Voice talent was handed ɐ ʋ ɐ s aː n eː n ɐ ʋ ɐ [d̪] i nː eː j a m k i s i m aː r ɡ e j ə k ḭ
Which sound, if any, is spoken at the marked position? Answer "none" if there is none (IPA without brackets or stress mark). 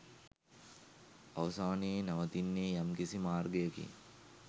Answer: t̪